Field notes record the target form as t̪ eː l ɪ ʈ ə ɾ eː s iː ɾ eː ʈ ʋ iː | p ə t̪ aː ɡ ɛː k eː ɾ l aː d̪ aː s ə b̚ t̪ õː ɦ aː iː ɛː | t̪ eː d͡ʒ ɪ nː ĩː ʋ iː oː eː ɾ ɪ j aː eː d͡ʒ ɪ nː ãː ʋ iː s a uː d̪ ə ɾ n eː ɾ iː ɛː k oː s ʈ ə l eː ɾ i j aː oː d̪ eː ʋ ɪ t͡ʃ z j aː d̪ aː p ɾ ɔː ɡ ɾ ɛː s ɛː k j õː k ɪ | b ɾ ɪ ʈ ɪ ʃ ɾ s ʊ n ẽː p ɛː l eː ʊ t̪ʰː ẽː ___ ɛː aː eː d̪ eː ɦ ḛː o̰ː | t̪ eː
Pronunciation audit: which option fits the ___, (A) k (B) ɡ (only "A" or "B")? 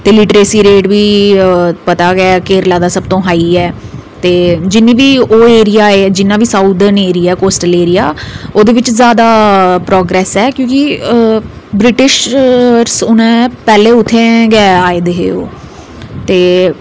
B